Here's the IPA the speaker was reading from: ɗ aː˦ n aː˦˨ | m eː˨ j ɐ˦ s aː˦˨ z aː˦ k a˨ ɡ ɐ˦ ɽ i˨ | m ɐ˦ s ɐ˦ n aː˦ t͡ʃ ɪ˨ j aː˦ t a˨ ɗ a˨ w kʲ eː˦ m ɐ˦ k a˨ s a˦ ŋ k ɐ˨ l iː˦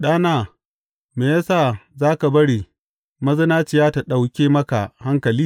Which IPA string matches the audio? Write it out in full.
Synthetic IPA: ɗ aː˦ n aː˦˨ | m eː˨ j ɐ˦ s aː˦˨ z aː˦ k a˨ b ɐ˦ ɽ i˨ | m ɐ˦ z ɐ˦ n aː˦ t͡ʃ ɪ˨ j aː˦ t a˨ ɗ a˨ w kʲ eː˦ m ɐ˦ k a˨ h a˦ ŋ k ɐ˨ l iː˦